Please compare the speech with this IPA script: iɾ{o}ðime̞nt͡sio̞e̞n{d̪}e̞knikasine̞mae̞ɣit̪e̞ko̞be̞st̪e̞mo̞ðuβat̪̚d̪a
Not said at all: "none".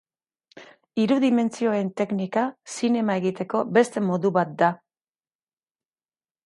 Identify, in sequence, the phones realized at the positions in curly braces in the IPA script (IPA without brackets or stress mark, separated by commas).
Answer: u, t̪